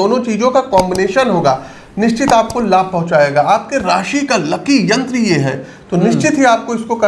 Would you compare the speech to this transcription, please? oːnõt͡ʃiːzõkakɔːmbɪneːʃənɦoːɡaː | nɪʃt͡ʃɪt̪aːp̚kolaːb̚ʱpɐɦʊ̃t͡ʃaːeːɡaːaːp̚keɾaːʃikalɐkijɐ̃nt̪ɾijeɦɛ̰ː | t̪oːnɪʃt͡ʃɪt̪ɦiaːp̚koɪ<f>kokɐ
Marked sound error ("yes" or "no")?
yes